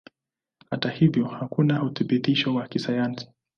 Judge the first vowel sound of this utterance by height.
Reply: low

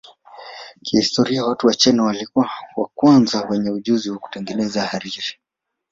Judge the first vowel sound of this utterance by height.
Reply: high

